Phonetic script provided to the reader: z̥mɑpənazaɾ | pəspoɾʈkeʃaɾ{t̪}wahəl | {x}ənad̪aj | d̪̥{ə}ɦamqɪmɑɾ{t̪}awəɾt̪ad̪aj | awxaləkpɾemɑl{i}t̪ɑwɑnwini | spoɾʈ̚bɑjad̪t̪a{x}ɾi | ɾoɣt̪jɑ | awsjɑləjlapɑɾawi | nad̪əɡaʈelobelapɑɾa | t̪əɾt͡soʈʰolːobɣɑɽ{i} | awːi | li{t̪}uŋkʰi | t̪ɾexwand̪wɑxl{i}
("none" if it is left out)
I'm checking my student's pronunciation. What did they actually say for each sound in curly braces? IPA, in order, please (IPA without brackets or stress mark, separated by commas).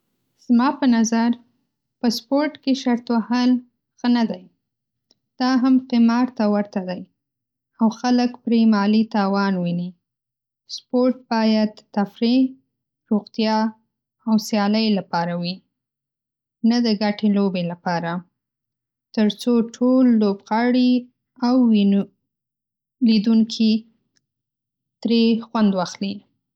t̪, x, ɑ, t̪, i, f, i, d̪, i